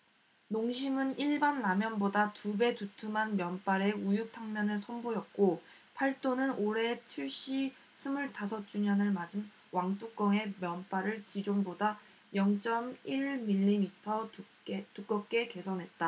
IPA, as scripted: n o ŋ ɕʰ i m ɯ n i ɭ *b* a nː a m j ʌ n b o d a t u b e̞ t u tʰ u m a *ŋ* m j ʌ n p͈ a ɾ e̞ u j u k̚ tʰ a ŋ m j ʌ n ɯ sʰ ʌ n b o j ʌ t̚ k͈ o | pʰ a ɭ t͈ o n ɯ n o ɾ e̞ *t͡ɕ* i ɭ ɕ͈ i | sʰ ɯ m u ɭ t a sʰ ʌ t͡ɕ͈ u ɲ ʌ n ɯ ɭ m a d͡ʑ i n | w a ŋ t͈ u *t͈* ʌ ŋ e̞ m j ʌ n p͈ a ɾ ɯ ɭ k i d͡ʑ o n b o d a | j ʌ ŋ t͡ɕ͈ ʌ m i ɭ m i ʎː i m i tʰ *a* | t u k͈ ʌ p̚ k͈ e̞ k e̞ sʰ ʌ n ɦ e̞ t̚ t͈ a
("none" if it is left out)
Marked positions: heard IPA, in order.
b, n, t͡ɕʰ, k͈, ʌ

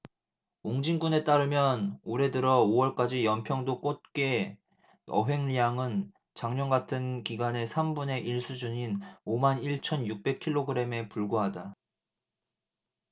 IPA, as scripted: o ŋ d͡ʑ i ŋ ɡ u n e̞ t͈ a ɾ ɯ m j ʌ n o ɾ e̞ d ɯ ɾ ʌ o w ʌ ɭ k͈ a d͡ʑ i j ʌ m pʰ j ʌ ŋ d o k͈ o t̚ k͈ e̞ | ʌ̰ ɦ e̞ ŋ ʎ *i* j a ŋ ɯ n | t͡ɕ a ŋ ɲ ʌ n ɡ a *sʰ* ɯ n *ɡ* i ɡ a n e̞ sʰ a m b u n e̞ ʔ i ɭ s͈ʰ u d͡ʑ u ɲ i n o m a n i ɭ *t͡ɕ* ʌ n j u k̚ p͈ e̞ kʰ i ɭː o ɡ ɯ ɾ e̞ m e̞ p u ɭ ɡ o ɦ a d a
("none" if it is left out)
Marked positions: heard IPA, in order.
i, tʰ, k, t͡ɕʰ

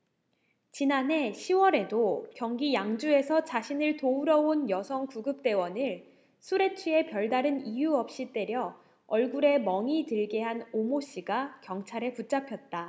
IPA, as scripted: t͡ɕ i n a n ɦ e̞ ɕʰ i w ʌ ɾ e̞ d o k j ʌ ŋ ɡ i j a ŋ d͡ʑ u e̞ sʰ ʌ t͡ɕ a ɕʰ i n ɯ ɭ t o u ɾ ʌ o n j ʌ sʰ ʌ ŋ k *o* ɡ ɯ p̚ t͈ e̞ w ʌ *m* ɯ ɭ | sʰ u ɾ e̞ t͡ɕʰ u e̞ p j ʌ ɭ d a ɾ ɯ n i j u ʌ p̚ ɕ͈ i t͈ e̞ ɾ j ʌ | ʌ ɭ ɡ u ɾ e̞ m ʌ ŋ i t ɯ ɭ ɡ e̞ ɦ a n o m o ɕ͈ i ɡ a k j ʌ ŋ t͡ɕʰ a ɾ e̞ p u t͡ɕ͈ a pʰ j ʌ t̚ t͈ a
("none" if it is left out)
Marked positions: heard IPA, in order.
u, n

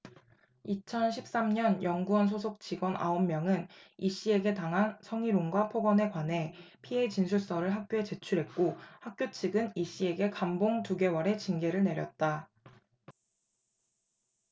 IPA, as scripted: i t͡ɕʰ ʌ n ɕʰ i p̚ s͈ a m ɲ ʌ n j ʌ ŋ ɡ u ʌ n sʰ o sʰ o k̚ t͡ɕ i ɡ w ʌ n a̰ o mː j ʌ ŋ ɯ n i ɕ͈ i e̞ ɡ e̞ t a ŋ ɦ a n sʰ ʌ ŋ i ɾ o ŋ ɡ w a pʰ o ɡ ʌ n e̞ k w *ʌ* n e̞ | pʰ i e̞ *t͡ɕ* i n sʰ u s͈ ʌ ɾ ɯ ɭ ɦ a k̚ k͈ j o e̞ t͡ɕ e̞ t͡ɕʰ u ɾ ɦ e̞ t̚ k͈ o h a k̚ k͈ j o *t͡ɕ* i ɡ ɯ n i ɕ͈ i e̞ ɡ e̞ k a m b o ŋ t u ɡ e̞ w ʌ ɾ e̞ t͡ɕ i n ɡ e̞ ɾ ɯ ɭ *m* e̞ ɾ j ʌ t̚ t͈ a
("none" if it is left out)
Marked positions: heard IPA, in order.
a, t͡ɕ, t͡ɕʰ, n

